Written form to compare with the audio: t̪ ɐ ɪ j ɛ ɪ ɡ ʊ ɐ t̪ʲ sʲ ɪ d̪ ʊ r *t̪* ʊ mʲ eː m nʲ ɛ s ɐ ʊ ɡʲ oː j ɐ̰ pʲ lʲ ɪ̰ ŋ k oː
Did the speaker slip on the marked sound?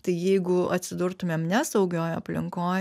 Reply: no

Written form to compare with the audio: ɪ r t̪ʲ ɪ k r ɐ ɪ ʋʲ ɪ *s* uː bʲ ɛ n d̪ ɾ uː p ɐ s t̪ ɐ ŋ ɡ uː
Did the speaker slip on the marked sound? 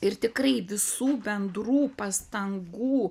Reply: no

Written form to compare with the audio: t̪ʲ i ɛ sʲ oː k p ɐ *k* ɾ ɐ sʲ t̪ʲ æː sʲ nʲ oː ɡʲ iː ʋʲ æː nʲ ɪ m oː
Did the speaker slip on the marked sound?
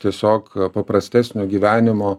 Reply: yes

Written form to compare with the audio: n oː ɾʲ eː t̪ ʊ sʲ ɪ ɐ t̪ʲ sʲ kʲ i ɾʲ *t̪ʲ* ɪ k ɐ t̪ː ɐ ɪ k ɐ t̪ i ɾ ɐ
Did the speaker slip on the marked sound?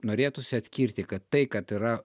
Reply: no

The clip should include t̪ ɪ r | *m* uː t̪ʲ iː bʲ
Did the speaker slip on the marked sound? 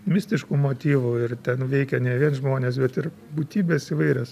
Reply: yes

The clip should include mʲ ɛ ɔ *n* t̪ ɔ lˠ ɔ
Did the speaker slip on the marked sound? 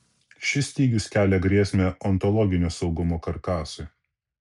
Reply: no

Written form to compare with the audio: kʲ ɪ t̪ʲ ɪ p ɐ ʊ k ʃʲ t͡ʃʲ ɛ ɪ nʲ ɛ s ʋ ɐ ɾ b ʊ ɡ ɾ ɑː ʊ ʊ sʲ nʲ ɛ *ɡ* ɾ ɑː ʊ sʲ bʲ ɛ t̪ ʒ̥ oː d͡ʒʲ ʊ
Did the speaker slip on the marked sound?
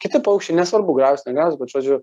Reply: no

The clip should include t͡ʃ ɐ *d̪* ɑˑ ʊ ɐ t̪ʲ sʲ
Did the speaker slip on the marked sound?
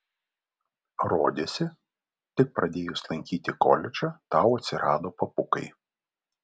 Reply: yes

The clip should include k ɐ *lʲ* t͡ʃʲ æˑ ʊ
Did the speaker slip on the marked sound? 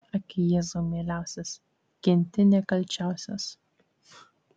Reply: no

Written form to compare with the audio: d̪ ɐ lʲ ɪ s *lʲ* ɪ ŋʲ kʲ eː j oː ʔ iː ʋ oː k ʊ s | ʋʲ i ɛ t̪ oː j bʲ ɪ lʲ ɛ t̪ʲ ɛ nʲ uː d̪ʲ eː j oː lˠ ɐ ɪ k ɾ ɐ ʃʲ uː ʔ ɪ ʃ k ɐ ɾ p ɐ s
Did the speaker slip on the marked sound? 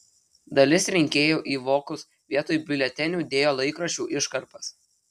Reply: yes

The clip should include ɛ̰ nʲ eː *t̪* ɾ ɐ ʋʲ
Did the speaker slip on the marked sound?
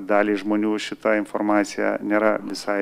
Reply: yes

